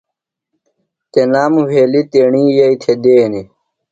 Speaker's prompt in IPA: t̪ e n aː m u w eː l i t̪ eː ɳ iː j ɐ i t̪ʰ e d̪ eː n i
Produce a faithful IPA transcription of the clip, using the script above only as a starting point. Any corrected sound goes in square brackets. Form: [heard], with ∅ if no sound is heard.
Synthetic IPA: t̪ e n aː m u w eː l i t̪ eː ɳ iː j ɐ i t̪ʰ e d̪ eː n i